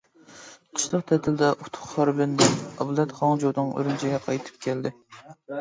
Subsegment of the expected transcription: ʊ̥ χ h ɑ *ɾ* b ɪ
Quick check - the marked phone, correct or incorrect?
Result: correct